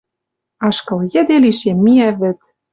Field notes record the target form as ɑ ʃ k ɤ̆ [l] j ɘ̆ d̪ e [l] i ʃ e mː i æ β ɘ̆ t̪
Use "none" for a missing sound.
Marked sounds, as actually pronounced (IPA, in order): l, l

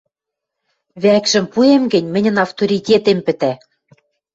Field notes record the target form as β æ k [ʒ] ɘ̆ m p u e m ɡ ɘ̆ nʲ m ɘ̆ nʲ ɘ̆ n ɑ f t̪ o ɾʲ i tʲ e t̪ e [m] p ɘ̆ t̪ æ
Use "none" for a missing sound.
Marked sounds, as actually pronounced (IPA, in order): ʒ, m

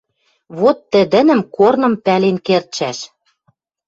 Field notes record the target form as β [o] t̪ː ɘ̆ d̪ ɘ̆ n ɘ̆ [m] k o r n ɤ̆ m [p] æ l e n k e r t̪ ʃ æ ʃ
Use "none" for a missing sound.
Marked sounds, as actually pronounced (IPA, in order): o, m, p

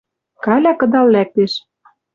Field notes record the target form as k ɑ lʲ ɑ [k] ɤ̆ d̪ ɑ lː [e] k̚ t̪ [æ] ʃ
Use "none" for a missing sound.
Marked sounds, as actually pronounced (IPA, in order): k, æ, e

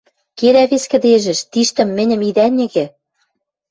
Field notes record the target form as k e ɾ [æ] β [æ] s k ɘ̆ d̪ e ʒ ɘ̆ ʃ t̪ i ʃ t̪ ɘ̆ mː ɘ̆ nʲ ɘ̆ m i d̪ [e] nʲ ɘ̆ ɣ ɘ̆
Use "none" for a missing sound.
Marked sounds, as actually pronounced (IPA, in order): æ, e, æ

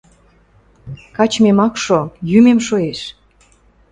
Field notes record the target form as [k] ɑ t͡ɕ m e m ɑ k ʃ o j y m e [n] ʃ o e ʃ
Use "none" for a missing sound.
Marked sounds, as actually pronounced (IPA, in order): k, m

